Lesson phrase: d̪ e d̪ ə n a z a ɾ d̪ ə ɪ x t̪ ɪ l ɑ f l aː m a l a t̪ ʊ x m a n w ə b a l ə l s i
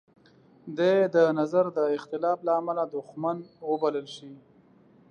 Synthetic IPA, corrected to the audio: d̪ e d̪ ə n a z a ɾ d̪ ə ɪ x t̪ ɪ l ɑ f l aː m a l a d̪ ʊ x m a n w ə b a l ə l ʃ i